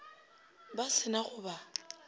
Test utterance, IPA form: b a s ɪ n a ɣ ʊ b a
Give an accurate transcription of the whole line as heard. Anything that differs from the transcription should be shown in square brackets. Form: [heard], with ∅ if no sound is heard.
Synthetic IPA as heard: b a s ɪ n a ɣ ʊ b a